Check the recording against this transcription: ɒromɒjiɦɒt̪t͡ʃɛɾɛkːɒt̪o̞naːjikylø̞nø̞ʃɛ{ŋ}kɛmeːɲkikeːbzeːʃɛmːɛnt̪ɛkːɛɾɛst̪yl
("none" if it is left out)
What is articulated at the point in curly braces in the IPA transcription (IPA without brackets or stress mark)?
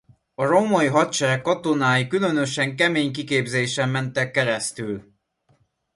ŋ